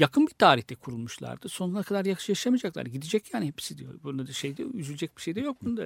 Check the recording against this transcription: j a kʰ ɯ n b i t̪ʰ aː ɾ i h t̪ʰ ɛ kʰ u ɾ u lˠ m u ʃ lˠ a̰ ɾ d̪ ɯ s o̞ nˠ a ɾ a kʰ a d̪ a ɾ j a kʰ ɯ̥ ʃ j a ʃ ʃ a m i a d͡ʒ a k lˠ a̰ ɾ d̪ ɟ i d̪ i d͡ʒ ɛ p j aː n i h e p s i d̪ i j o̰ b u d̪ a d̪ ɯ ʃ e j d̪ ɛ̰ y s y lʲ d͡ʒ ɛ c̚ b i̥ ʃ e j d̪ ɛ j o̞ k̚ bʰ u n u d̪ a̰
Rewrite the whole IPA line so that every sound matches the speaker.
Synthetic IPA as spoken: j a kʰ ɯ n b i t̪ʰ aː ɾ i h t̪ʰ ɛ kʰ u ɾ u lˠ m u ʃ lˠ a̰ ɾ d̪ ɯ s o̞ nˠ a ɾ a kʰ a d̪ a ɾ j a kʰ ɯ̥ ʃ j a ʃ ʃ a m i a d͡ʒ a k lˠ a̰ ɾ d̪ ɟ i d̪ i d͡ʒ ɛ c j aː n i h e p s i d̪ i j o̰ b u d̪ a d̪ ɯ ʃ e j d̪ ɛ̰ y z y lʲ d͡ʒ ɛ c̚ b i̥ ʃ e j d̪ ɛ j o̞ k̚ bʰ u n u d̪ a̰